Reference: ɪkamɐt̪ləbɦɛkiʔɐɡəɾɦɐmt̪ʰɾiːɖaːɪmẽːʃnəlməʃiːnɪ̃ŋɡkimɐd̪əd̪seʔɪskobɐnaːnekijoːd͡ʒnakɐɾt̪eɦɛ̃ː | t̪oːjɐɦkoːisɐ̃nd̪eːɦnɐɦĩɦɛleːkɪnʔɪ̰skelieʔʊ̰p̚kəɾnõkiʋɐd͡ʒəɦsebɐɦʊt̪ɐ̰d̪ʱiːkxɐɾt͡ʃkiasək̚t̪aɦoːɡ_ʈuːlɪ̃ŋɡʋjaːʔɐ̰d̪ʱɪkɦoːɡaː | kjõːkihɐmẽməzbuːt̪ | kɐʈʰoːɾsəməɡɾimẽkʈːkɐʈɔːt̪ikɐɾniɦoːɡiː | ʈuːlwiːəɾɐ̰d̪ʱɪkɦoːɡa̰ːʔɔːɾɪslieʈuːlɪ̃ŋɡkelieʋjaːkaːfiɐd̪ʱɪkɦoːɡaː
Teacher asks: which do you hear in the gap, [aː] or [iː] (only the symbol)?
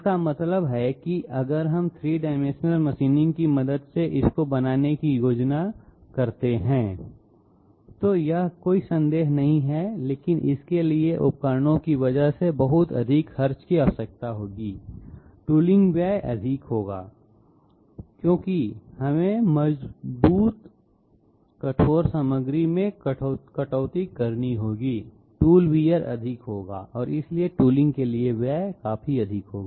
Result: iː